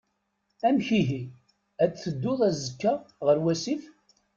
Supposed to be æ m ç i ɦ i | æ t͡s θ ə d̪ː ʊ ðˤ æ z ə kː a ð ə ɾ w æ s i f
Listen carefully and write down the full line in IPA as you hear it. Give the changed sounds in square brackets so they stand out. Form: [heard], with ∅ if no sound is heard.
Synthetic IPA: æ m ç i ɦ i | æ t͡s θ ə d̪ː ʊ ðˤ æ z ə kː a [ʁ] ə ɾ w æ s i f